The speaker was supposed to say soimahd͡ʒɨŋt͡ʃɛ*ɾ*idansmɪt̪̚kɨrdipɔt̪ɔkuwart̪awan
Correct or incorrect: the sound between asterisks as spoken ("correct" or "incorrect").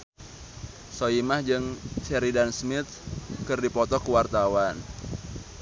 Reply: correct